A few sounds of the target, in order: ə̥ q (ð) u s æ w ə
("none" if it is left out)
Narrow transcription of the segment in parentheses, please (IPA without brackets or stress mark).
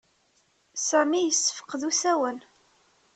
ð